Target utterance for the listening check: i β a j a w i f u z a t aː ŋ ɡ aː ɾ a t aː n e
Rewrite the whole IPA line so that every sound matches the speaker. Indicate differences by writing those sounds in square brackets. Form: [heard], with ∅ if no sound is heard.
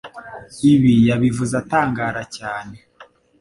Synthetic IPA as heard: i β [i] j a [β] i [v] u z a t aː ŋ ɡ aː ɾ a [c] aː n e